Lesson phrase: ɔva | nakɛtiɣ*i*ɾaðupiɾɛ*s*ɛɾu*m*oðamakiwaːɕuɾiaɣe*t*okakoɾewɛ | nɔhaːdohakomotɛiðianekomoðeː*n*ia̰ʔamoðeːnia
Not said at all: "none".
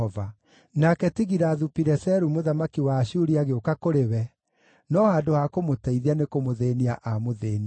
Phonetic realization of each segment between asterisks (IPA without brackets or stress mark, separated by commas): i, s, m, none, n